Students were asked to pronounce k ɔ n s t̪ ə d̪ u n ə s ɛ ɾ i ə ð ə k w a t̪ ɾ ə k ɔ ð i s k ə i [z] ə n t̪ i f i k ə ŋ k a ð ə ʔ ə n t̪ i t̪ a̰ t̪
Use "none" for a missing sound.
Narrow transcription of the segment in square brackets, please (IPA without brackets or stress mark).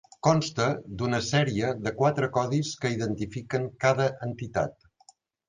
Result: ð